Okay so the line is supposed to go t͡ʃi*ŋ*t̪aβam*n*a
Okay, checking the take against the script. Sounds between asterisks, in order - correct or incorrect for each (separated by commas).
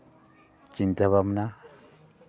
incorrect, correct